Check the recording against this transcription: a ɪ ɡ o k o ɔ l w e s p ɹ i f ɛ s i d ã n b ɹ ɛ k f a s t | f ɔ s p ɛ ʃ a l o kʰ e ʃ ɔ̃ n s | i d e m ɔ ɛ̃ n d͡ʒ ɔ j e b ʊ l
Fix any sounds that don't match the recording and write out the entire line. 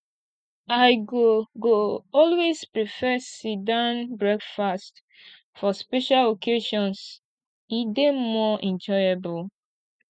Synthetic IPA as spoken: a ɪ ɡ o ɡ o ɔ l w e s p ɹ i f ɛ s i d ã n b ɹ ɛ k f a s t | f ɔ s p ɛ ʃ a l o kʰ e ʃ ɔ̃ n s | i d e m ɔ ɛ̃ n d͡ʒ ɔ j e b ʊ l